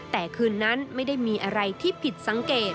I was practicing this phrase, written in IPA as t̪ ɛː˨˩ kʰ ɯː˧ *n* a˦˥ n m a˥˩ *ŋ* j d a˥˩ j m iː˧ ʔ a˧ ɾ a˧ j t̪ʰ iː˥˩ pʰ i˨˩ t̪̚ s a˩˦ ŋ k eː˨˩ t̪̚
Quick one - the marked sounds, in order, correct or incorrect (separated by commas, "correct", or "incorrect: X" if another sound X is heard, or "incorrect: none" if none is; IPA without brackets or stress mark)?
incorrect: nː, incorrect: none